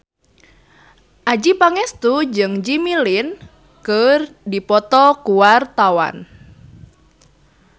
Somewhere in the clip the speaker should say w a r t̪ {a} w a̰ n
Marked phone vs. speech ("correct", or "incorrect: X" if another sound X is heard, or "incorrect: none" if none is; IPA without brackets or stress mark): correct